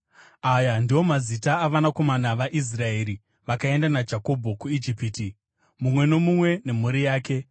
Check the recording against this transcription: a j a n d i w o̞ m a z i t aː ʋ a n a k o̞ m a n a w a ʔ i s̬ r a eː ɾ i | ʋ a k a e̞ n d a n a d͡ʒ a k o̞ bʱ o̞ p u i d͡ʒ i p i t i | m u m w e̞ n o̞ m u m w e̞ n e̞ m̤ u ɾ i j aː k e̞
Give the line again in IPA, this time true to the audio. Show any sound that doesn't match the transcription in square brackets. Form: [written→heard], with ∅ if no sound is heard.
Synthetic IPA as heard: a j a n d i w o̞ m a z i t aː ʋ a n a k o̞ m a n a [w→ʋ] a ʔ i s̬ r a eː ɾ i | ʋ a k a e̞ n d a n a d͡ʒ a k o̞ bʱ o̞ [p→k] u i d͡ʒ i p i t i | m u m w e̞ n o̞ m u m w e̞ n e̞ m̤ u ɾ i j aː k e̞